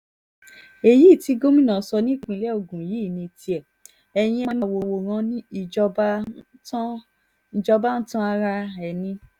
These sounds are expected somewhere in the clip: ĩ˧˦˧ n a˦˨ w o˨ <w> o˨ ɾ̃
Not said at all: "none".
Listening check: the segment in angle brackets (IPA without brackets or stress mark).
w